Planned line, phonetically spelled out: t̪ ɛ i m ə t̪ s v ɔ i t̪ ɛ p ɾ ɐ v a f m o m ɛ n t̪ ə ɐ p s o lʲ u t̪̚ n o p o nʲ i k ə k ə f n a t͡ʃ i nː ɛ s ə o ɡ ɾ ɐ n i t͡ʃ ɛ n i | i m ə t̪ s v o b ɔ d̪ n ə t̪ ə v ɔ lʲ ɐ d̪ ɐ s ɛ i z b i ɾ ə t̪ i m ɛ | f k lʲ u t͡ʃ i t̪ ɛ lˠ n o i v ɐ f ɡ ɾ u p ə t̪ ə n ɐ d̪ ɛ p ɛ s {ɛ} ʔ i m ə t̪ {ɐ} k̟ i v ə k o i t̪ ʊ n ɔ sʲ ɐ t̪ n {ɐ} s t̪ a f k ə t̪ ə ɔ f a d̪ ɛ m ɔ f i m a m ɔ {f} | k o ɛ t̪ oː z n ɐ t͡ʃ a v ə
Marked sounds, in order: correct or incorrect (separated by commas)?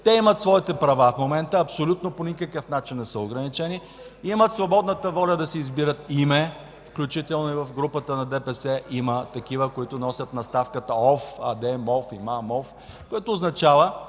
correct, correct, correct, correct